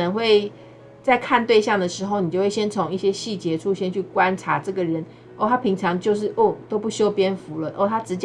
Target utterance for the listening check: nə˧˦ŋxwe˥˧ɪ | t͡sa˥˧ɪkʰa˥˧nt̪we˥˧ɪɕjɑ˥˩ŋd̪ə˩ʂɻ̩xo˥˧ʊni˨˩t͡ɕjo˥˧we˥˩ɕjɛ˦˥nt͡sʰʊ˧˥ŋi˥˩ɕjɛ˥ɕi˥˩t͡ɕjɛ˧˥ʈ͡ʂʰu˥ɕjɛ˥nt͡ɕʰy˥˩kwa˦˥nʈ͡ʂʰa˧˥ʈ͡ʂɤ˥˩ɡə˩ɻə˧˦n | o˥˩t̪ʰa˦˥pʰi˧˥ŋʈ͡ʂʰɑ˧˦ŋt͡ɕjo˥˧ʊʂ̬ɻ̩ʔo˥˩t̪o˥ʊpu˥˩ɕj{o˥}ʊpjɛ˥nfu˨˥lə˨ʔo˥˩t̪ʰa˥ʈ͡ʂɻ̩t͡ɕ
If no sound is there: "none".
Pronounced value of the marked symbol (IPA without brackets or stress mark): o˥